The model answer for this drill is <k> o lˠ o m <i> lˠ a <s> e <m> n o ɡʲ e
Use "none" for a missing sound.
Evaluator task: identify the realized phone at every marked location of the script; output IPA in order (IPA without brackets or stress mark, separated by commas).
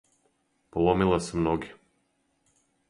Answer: p, i, s, m